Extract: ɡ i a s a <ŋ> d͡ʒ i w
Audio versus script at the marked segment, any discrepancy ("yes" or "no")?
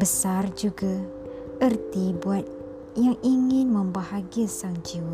no